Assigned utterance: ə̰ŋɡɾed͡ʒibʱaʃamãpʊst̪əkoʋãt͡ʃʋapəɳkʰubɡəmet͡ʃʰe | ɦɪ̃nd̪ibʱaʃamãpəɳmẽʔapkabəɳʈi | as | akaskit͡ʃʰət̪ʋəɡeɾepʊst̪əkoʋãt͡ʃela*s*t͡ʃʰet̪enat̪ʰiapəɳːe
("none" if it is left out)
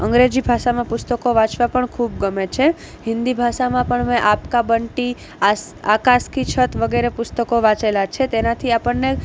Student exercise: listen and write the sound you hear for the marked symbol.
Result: none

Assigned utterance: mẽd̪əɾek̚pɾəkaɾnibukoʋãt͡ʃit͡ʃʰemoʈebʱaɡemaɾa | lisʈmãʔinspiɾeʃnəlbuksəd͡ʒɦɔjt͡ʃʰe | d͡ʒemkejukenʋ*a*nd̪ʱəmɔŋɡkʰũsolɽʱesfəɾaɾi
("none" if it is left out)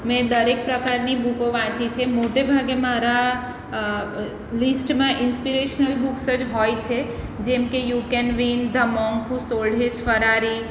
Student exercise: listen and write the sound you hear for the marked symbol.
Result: i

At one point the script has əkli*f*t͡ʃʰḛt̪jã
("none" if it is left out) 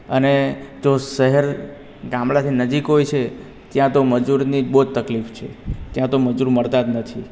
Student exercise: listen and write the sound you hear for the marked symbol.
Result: f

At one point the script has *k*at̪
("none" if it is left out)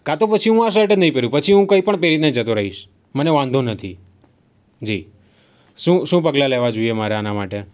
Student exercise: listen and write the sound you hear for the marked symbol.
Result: k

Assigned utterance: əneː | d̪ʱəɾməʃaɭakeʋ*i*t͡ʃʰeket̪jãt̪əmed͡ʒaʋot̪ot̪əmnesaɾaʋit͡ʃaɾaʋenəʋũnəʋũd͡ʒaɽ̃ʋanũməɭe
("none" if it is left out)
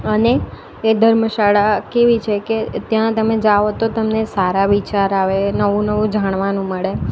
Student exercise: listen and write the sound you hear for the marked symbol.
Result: i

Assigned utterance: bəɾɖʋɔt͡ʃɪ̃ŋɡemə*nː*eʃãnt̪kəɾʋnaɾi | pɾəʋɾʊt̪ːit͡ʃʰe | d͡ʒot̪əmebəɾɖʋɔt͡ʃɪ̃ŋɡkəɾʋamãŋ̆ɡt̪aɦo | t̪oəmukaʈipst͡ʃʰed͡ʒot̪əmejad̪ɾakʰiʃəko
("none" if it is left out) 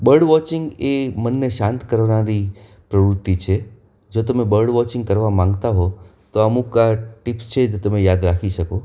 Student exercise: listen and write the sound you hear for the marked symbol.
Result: nː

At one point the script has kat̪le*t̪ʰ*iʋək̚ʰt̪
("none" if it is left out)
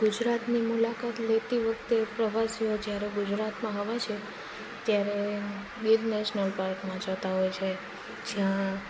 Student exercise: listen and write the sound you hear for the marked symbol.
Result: t̪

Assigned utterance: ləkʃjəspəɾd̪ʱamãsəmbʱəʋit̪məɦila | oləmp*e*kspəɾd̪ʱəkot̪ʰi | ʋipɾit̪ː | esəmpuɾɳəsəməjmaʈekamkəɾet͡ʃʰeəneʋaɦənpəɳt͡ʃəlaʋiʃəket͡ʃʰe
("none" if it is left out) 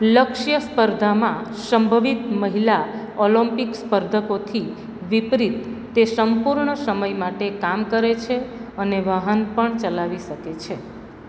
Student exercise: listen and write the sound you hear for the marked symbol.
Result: i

